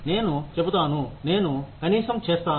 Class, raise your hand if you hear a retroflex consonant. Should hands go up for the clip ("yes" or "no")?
no